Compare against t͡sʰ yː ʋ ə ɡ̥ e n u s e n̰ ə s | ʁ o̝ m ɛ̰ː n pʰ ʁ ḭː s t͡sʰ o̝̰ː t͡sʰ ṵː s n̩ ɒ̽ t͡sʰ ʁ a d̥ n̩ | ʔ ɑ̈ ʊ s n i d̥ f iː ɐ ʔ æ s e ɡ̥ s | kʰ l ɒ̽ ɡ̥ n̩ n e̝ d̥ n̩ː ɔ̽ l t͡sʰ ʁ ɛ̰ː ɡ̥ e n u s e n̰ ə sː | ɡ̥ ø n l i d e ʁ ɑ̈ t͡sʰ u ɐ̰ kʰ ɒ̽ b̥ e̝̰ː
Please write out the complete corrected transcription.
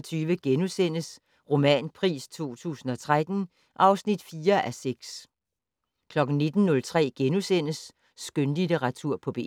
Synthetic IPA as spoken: t͡sʰ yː ʋ ə ɡ̥ e n u s e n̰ ə s | ʁ o̝ m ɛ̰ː n pʰ ʁ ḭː s t͡sʰ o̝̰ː t͡sʰ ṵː s n̩ ɒ̽ t͡sʰ ʁ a d̥ n̩ | ʔ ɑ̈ ʊ s n i d̥ f iː ɐ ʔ æ s e ɡ̥ s | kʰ l ɒ̽ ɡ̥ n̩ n e̝ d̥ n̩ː ɔ̽ l t͡sʰ ʁ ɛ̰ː ɡ̥ e n u s e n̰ ə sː | ɡ̥ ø n l i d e ʁ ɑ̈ t͡sʰ u ɐ̰ pʰ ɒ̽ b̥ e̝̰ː